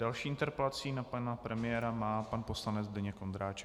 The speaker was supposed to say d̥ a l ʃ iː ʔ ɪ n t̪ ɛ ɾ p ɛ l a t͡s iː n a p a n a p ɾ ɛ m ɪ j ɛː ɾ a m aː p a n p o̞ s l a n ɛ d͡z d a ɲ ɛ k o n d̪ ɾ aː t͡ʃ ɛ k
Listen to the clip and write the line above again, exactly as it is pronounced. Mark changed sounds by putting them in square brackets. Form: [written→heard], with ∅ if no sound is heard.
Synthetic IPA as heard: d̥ a l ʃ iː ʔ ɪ n t̪ ɛ ɾ p ɛ l a t͡s iː n a p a n a p ɾ ɛ m ɪ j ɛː ɾ a m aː p a n p o̞ s l a n ɛ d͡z d [a→ɛ] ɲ ɛ k o n d̪ ɾ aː t͡ʃ ɛ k